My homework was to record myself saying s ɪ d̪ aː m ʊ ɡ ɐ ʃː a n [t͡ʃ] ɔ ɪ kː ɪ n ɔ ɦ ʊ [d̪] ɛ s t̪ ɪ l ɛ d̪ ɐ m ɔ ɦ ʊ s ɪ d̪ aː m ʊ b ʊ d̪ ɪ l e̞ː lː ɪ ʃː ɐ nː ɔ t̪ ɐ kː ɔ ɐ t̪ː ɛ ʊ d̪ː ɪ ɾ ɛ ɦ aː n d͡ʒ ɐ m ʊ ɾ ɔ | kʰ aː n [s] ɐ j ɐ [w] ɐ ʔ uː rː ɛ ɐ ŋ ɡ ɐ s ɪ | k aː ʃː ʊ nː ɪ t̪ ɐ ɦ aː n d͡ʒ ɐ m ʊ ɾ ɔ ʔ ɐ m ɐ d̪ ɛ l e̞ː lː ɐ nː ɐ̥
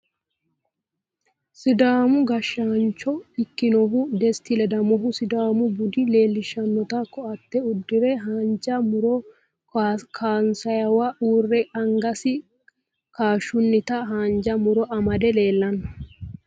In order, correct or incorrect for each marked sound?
correct, correct, correct, correct

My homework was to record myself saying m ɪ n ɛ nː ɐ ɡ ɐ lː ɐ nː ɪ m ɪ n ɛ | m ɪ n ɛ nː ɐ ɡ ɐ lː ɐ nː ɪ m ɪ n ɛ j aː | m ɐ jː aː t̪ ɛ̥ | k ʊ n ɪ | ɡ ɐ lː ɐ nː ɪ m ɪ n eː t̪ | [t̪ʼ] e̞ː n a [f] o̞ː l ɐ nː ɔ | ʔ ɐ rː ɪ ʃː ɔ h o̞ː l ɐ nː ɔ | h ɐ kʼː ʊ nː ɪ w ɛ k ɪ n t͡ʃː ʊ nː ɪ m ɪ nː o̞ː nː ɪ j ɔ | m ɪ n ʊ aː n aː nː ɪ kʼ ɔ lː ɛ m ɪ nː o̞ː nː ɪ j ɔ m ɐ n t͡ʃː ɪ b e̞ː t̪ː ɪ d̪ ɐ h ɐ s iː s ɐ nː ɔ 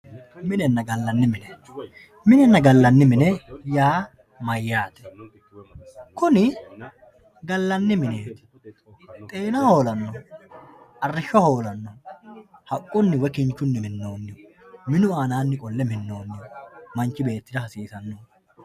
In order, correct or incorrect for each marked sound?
correct, incorrect: h

